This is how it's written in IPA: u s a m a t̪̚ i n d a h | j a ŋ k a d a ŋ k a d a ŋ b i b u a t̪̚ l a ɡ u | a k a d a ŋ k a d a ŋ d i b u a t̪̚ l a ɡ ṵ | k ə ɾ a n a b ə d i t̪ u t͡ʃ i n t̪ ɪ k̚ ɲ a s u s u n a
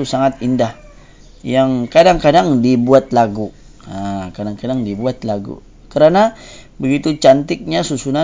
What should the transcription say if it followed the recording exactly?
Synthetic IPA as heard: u s a ŋ a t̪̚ i n d a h | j a ŋ k a d a ŋ k a d a ŋ d i b u a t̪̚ l a ɡ u | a k a d a ŋ k a d a ŋ d i b u a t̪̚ l a ɡ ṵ | k ə ɾ a n a b ə ɡ i t̪ u t͡ʃ a n t̪ ɪ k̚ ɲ a s u s u n a